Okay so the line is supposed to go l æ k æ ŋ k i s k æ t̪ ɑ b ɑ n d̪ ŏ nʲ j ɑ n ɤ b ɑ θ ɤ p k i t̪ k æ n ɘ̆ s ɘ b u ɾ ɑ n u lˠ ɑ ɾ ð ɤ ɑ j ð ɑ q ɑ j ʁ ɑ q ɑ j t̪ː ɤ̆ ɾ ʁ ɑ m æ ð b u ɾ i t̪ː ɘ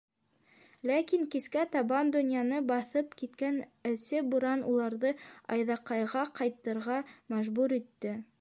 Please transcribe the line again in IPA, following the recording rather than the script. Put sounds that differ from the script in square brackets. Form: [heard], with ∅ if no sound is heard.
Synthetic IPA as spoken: l æ k [i] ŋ k i s k æ t̪ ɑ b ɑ n d̪ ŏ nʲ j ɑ n ɤ b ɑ θ ɤ p k i t̪ k æ n ɘ̆ s ɘ b u ɾ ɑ n u lˠ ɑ ɾ ð ɤ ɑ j ð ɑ q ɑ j ʁ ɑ q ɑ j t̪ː ɤ̆ ɾ ʁ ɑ m æ [ʒ] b u ɾ i t̪ː ɘ